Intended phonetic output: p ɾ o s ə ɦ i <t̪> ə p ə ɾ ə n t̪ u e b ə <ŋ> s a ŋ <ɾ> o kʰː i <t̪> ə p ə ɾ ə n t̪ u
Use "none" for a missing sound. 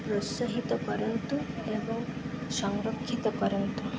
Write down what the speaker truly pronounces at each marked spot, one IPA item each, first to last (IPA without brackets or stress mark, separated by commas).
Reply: t̪, ŋ, ɾ, t̪